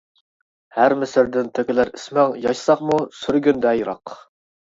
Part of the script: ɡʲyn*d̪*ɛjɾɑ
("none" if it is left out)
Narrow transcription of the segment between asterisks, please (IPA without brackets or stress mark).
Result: d̪